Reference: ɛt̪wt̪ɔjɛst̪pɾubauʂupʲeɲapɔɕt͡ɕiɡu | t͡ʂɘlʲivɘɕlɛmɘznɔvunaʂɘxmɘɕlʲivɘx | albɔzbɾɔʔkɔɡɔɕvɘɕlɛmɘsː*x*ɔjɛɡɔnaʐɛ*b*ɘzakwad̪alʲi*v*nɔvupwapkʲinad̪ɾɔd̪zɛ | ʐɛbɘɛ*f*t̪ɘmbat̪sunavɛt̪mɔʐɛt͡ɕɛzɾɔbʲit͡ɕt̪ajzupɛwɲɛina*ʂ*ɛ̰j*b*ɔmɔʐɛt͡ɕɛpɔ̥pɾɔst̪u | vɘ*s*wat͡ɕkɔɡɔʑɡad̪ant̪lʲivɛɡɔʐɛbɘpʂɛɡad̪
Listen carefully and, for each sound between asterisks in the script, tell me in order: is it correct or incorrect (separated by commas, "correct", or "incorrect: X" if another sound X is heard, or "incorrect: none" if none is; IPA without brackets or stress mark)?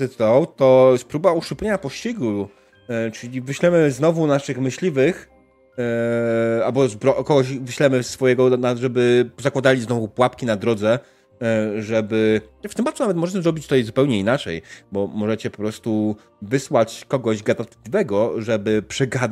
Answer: incorrect: f, correct, incorrect: z, correct, incorrect: t͡ʂ, correct, correct